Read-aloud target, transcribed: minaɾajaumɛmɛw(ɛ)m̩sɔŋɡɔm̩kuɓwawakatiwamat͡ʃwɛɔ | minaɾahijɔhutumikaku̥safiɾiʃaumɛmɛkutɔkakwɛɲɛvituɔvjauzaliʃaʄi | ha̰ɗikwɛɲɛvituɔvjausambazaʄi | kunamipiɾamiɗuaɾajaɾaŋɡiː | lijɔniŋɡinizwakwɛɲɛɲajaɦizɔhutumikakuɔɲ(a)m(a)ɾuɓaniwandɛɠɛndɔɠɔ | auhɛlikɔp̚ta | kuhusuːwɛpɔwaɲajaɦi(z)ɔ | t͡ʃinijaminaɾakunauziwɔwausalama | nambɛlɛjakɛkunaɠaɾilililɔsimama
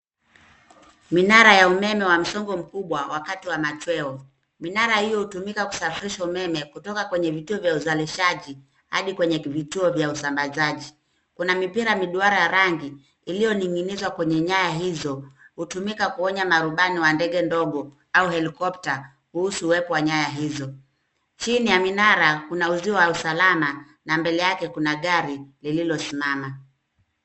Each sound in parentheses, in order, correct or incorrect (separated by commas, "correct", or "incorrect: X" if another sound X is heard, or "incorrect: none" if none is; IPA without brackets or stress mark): incorrect: a, correct, correct, correct